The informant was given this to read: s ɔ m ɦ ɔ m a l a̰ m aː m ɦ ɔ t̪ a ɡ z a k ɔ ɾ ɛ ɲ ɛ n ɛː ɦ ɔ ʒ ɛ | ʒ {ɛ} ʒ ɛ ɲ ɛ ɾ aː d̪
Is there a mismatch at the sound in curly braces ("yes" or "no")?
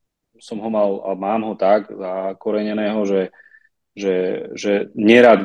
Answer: no